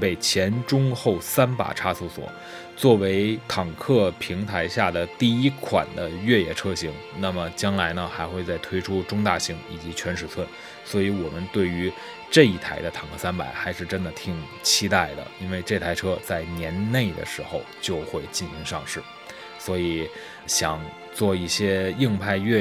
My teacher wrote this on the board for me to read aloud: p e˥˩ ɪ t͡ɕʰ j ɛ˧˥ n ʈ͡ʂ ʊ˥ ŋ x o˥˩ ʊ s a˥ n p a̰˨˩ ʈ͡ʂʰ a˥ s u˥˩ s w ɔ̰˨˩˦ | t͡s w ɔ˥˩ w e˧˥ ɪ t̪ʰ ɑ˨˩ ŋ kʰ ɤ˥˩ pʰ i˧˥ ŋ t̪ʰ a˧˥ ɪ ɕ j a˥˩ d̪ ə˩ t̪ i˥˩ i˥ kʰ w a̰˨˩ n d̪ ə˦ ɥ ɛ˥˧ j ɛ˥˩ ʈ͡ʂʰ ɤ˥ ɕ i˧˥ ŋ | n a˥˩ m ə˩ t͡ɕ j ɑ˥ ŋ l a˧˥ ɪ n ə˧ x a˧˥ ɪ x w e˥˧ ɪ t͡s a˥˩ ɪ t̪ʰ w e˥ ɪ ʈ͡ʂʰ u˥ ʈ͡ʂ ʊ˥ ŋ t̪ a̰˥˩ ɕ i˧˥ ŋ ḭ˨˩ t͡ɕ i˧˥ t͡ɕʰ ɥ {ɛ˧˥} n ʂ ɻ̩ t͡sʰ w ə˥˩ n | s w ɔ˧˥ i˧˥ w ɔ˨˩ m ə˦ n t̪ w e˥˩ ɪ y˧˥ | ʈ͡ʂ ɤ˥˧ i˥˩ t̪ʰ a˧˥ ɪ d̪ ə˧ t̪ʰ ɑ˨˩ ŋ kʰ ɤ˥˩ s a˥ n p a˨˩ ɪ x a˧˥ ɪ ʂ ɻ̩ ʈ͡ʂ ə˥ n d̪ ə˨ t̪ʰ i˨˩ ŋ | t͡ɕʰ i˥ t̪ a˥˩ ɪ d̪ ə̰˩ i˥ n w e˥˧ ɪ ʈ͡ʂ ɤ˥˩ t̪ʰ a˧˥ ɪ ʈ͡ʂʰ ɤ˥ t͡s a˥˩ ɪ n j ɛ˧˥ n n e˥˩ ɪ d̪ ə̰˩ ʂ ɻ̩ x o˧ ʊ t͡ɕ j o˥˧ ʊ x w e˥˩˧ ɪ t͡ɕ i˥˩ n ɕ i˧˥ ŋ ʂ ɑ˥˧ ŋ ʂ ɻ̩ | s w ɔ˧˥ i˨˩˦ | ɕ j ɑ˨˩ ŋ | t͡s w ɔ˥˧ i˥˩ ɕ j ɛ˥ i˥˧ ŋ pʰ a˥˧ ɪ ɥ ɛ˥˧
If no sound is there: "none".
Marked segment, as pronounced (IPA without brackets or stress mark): ɛ˧˥